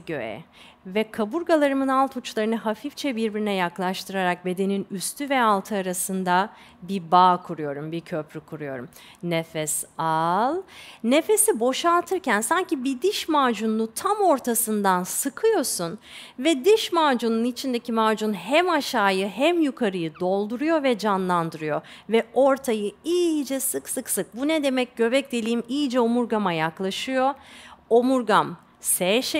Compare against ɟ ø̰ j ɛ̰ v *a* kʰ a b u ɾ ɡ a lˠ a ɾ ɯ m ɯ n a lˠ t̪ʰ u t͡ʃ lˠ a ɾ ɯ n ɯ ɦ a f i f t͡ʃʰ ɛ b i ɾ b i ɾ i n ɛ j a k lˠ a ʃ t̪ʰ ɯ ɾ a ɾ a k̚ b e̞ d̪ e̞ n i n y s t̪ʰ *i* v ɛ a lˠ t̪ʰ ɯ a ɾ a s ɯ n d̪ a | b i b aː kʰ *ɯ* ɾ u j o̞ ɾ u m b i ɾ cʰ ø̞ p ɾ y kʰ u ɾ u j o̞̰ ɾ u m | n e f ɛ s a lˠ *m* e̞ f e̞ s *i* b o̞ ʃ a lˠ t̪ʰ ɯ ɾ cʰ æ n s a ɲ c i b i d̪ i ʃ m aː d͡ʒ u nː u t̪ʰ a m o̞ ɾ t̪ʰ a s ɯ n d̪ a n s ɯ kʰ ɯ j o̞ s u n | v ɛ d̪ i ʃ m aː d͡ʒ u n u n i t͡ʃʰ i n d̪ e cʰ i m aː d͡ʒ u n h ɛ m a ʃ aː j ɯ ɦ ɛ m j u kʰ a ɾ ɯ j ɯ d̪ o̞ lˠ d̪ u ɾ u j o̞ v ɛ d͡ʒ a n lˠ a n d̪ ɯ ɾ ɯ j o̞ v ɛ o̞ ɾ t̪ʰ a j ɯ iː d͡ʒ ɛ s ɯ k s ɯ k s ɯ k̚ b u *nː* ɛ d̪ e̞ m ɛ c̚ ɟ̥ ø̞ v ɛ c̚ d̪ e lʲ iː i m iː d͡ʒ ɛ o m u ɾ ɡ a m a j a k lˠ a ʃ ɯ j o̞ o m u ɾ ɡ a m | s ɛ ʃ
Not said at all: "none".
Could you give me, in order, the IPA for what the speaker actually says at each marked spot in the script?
ɛ, y, u, n, i, n

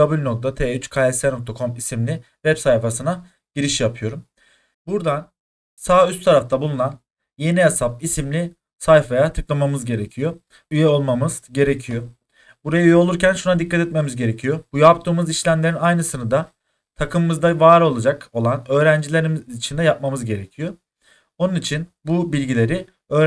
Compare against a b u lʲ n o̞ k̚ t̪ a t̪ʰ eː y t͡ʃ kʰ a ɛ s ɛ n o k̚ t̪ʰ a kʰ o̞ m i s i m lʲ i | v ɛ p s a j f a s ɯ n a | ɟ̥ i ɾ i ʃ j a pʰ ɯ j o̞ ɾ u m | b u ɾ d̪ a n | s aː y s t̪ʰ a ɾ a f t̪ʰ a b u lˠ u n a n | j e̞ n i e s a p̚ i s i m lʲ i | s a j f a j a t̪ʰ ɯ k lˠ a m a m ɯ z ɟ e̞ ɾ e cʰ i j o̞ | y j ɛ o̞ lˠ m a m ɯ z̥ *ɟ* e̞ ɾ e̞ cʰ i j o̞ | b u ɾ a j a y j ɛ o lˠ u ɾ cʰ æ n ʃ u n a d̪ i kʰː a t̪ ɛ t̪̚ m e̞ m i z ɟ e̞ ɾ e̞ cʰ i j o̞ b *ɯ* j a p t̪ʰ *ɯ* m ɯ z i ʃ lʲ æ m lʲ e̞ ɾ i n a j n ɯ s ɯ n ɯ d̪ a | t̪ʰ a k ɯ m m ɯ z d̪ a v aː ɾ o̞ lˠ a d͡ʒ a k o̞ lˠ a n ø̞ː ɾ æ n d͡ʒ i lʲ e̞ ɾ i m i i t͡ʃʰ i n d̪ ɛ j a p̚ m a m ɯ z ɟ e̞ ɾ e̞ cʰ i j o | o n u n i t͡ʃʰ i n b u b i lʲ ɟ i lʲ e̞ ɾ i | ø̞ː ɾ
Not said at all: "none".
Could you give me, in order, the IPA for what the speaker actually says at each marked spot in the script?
ɟ, u, ɯː

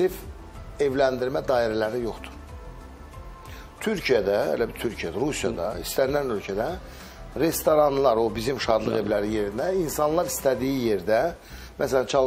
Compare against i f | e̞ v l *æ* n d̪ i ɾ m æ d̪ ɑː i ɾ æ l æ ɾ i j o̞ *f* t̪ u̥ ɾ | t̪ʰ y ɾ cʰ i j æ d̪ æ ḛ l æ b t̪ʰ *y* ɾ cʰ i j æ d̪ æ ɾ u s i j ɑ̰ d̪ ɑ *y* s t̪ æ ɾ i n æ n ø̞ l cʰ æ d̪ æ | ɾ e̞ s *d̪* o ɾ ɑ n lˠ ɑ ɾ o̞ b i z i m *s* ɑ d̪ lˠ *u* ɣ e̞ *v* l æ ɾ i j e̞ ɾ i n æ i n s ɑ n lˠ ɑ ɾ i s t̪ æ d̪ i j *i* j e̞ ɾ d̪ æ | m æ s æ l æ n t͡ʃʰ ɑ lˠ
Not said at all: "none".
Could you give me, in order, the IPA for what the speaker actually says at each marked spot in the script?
æ, χ, y, i, t̪, ʃ, ɯ, v, i

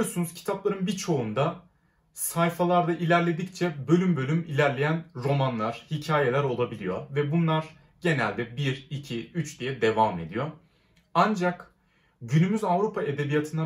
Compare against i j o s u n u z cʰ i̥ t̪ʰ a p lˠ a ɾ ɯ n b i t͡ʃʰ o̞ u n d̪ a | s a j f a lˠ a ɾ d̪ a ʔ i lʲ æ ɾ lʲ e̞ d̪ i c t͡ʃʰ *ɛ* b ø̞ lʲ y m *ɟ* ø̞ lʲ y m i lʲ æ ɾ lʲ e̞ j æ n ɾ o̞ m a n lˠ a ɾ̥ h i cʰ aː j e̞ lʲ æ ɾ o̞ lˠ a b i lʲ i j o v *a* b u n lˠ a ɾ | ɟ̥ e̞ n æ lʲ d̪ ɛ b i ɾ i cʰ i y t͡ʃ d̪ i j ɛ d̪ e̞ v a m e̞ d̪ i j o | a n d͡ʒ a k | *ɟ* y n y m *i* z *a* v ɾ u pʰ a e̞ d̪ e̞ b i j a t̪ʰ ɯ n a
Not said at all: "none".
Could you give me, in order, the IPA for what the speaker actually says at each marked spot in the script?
ɛ, b, ɛ, ɟ, y, a

